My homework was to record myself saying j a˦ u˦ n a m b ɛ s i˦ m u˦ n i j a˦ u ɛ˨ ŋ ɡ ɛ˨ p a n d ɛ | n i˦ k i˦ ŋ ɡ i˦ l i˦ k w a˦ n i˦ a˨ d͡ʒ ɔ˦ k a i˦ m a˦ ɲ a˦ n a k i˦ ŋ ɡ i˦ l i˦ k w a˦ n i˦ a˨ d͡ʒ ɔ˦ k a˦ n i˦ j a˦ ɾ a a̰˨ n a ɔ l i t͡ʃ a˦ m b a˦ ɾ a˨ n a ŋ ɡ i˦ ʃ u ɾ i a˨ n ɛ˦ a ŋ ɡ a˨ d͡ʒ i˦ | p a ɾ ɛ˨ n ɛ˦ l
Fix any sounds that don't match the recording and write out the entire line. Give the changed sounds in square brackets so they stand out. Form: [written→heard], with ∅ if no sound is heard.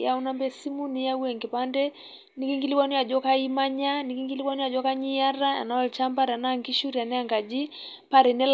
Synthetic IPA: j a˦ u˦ n a m b ɛ s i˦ m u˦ n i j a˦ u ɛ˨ ŋ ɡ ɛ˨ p a n d ɛ | n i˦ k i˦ ŋ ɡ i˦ l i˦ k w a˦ n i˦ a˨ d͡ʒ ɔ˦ k a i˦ m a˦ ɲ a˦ n [a→i] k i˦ ŋ ɡ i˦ l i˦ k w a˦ n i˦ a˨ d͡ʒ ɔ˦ k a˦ [n→ɲ] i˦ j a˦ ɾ a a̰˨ n a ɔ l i t͡ʃ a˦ m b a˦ ɾ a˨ n a ŋ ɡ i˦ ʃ u ɾ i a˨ n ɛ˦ a ŋ ɡ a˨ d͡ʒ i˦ | p a ɾ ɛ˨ n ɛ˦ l